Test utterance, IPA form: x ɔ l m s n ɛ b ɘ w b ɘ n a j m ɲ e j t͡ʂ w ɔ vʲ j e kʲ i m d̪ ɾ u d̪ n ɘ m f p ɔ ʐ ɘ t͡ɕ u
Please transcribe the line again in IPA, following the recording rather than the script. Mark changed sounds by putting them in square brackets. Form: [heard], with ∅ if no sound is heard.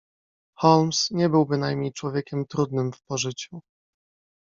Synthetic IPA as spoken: x ɔ l m s [ɲ] ɛ b ɘ w b ɘ n a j m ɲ e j t͡ʂ w ɔ vʲ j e kʲ [ɛ] m [t̪] ɾ u d̪ n ɘ m f p ɔ ʐ ɘ t͡ɕ u